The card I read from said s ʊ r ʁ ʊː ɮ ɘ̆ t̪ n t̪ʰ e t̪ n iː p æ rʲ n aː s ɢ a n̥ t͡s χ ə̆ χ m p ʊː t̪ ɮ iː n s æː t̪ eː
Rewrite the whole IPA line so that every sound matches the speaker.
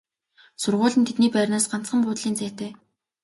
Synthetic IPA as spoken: s ʊ r ʁ ʊː ɮ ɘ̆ n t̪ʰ e t̪ n iː p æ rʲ n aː s ɢ a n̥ t͡s χ ə̆ m p ʊː t̪ ɮ iː n t͡s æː t̪ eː